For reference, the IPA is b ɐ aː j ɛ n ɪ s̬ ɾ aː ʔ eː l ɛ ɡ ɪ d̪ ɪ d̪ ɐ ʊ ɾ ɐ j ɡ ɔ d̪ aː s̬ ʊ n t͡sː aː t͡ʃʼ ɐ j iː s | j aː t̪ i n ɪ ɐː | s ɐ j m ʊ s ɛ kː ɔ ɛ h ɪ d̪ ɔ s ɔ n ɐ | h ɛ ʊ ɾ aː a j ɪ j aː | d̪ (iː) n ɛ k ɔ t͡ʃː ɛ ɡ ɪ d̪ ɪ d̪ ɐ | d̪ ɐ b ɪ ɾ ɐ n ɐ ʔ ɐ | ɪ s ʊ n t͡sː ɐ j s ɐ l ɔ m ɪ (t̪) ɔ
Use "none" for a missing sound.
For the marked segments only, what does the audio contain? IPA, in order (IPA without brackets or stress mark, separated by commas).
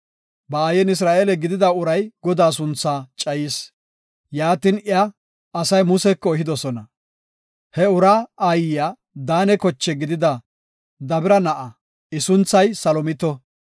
aː, t̪